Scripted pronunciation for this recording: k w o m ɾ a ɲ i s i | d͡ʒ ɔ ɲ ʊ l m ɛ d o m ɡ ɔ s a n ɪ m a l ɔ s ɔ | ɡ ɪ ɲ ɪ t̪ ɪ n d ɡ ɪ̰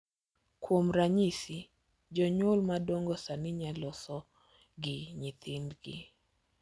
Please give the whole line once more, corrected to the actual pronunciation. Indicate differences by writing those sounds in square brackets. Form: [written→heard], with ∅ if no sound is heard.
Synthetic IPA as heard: k w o m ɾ a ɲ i s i | d͡ʒ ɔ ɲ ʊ l m [ɛ→a] d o [m→ŋ] ɡ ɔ s a n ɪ [m→ɲ] a l ɔ s ɔ | ɡ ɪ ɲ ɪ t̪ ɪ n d ɡ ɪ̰